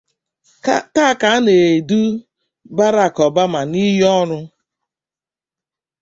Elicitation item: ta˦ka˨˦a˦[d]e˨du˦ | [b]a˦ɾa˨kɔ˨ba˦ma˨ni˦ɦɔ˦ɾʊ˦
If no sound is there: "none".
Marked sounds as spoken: n, b

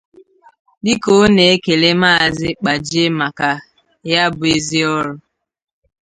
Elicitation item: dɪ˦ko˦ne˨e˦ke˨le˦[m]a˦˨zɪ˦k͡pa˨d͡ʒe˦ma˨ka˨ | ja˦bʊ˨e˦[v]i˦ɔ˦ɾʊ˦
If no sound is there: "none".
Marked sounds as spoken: m, z

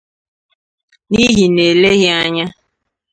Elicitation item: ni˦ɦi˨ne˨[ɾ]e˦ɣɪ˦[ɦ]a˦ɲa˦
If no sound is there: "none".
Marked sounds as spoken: l, none

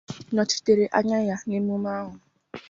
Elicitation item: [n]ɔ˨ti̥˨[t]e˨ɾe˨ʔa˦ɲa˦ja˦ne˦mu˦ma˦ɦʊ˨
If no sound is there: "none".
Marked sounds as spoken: n, t

